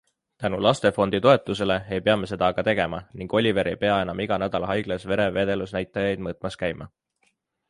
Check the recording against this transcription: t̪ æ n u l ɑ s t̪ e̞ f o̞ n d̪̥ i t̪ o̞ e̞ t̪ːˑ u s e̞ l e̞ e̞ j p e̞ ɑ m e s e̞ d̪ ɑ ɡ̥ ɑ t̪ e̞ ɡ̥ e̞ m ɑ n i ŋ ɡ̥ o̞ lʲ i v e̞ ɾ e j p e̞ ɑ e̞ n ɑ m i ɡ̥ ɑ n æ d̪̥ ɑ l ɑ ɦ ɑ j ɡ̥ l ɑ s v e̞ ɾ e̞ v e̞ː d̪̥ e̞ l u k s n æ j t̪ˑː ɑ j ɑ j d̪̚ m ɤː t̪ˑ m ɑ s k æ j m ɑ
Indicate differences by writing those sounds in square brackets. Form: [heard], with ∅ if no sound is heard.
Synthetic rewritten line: t̪ æ n u l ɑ s t̪ e̞ f o̞ n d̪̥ i t̪ o̞ e̞ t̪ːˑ u s e̞ l e̞ e̞ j p e̞ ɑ m e s e̞ d̪ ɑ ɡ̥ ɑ t̪ e̞ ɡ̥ e̞ m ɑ n i ŋ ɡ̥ o̞ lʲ i v e̞ ɾ e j p e̞ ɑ e̞ n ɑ m i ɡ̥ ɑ n æ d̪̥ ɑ l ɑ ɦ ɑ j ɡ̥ l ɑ s v e̞ ɾ e̞ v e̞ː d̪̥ e̞ l u [∅] s n æ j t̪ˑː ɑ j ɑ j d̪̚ m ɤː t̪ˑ m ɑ s k æ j m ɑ